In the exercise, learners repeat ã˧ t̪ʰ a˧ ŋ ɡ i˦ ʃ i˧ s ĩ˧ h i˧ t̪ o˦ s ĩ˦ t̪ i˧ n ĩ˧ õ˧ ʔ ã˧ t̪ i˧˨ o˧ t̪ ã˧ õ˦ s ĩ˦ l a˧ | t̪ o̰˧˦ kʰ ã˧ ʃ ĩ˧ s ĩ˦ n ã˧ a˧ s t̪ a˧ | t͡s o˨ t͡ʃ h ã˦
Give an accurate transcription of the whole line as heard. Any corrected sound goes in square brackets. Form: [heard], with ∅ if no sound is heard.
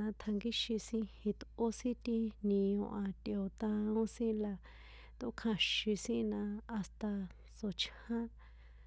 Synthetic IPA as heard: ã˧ t̪ʰ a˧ ŋ ɡ i˦ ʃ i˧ s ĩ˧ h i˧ t̪ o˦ s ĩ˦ t̪ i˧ n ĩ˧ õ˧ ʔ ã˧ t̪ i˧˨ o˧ t̪ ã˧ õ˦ s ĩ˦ l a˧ | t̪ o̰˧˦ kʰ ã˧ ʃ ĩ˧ s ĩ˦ n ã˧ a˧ s t̪ a˧ | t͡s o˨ t͡ʃ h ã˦